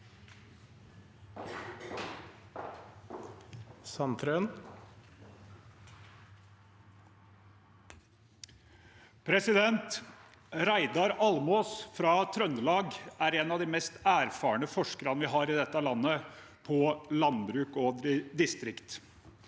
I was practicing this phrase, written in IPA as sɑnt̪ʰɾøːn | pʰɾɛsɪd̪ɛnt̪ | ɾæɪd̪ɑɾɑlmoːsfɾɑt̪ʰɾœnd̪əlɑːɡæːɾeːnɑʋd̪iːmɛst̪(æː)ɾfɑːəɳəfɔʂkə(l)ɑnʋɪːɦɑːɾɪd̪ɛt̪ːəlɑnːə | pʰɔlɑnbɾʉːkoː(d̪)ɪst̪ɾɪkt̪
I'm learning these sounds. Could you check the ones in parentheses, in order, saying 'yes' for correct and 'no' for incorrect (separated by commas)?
yes, no, yes